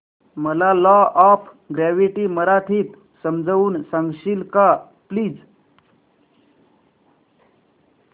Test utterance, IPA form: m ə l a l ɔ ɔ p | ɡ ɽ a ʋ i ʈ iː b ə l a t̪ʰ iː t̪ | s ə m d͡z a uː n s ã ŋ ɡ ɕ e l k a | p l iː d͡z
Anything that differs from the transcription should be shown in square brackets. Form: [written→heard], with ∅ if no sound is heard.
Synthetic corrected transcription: m ə l a l ɔ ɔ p | ɡ [ɽ→ɾ] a ʋ i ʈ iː [b→m] ə [l→ɾ] a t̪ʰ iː t̪ | s ə m d͡z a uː n s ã ŋ ɡ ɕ [e→i] l k a | p l iː d͡z